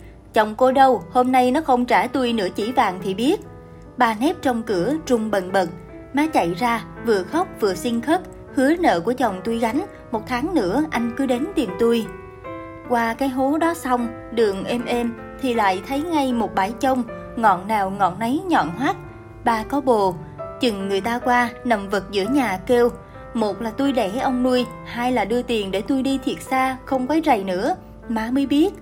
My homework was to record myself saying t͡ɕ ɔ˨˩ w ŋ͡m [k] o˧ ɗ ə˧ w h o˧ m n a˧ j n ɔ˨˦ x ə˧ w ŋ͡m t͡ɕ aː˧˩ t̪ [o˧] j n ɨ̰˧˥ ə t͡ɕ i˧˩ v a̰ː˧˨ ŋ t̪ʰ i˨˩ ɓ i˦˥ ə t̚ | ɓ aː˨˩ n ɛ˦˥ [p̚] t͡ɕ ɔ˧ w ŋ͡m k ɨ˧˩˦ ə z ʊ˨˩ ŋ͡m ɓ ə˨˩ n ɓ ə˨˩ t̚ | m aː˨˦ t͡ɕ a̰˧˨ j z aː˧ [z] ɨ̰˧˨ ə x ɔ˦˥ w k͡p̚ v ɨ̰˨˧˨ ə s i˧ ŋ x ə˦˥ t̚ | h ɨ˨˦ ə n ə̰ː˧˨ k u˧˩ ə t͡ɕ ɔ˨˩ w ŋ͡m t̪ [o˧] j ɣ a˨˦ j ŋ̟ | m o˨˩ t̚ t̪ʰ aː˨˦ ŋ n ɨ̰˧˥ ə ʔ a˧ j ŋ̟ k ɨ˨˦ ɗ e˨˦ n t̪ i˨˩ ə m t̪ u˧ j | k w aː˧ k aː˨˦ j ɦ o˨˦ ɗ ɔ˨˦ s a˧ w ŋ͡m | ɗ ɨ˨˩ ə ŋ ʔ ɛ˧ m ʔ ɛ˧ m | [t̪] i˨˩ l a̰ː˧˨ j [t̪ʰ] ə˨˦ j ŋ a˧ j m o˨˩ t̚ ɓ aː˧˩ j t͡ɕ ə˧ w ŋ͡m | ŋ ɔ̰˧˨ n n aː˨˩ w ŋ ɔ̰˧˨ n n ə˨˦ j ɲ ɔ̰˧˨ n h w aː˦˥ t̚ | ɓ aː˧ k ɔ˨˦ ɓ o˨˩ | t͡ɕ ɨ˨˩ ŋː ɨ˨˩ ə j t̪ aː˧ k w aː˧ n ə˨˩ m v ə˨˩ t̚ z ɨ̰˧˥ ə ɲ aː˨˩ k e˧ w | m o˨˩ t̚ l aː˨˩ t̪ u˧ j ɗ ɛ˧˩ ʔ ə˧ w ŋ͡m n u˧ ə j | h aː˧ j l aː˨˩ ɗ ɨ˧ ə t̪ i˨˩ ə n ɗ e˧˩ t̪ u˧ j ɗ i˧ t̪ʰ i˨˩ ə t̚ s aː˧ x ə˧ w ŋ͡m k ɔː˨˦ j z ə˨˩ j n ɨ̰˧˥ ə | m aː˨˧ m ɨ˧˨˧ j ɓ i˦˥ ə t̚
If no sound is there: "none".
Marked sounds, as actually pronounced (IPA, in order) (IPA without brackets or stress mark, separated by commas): k, u˧, p̚, v, u˧, t̪ʰ, t̪ʰ